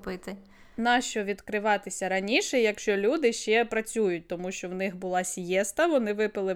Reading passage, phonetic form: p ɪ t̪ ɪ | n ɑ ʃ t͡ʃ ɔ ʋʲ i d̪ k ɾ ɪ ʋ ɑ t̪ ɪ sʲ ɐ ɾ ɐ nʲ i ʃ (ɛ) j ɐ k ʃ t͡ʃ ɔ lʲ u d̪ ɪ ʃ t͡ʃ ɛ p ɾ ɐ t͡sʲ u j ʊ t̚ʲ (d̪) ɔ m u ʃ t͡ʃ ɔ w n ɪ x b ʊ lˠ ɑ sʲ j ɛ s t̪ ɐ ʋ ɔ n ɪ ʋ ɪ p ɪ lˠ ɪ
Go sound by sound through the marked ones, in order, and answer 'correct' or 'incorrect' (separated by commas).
correct, incorrect